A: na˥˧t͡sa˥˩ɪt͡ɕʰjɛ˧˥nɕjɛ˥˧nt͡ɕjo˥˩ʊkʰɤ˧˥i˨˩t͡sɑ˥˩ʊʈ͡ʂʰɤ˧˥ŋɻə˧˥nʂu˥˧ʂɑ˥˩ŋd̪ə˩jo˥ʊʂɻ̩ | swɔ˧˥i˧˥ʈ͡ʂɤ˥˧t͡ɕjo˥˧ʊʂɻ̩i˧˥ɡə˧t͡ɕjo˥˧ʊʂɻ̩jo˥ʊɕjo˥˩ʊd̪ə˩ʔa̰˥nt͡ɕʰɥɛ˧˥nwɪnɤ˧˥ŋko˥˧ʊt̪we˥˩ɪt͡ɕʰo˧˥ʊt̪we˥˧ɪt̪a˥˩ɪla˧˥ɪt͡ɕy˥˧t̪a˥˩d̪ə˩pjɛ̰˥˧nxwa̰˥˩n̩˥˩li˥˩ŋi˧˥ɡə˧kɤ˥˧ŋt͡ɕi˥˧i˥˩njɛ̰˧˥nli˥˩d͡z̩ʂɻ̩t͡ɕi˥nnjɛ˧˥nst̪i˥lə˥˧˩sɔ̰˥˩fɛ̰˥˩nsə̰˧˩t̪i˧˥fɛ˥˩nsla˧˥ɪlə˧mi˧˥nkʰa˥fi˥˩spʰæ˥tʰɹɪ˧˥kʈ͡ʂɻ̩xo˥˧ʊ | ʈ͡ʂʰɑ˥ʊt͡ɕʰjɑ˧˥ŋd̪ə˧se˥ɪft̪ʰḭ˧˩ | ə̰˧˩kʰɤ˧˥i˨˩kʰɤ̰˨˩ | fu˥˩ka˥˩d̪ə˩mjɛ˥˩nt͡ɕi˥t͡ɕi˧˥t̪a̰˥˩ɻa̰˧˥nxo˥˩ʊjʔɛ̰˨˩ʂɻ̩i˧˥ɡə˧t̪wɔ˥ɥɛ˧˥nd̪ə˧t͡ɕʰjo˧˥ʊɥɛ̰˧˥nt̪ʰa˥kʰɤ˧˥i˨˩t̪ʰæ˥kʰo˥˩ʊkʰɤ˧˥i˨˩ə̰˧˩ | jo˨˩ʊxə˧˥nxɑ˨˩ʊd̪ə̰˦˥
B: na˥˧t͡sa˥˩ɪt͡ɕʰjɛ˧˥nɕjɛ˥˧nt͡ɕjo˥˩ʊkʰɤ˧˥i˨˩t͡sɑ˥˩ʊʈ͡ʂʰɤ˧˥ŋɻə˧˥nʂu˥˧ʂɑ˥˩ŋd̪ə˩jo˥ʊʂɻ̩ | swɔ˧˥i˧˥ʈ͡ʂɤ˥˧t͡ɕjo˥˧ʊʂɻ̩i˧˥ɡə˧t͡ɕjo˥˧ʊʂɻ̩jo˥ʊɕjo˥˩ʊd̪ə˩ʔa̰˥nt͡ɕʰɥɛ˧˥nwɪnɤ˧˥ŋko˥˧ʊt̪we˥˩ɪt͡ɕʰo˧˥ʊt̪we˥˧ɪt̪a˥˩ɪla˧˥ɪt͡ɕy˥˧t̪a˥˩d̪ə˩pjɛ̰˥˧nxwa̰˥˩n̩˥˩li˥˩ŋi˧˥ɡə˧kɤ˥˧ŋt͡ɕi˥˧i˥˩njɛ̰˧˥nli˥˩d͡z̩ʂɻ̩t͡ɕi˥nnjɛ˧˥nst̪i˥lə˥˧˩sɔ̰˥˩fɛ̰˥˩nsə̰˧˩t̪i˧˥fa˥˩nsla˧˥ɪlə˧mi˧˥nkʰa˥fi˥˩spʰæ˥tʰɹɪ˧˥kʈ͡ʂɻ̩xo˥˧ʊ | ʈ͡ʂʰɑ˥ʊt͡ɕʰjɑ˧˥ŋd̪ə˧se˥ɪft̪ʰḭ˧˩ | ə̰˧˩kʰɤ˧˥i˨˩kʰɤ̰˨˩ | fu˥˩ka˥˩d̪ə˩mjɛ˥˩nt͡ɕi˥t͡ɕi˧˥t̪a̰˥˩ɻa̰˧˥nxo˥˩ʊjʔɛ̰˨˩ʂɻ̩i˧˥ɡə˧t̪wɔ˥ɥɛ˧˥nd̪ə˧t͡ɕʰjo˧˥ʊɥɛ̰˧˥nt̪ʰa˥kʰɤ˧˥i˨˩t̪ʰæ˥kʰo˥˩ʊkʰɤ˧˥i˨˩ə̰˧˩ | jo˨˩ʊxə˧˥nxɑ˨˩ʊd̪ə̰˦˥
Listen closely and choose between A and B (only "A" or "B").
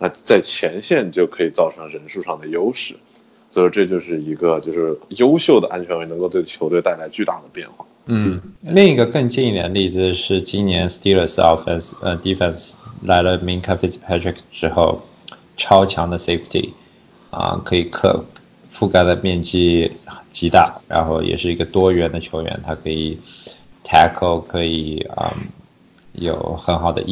A